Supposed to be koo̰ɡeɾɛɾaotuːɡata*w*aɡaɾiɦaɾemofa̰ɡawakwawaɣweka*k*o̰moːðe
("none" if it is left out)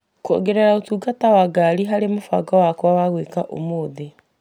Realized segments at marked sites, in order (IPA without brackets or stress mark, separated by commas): w, ʔ